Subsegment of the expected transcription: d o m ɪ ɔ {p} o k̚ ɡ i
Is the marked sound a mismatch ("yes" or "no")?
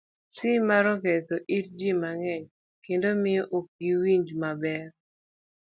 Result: yes